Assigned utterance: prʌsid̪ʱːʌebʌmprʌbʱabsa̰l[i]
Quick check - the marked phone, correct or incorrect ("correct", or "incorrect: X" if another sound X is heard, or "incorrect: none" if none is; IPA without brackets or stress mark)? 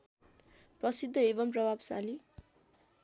correct